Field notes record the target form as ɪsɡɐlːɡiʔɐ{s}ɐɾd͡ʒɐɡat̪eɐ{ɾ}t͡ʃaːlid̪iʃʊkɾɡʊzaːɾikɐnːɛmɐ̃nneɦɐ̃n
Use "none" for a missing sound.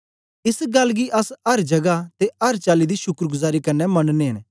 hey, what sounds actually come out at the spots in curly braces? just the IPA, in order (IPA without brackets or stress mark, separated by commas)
s, ɾ